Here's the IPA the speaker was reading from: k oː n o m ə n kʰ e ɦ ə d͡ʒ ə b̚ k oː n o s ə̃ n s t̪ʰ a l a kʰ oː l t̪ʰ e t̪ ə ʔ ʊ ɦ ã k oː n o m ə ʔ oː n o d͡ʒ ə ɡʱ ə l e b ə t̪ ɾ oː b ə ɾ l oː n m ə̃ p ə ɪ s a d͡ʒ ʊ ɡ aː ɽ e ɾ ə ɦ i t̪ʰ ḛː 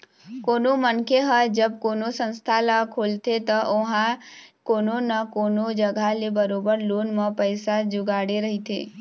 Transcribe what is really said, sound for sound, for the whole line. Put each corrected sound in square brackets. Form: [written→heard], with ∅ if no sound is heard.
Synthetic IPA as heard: k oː n o m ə n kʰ e ɦ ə d͡ʒ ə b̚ k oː n o s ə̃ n s t̪ʰ a l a kʰ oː l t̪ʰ e t̪ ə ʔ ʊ ɦ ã k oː n o [m→n] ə [ʔ→k] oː n o d͡ʒ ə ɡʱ [ə→a] l e b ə [t̪→∅] ɾ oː b ə ɾ l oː n m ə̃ p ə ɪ s a d͡ʒ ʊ ɡ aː ɽ e ɾ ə ɦ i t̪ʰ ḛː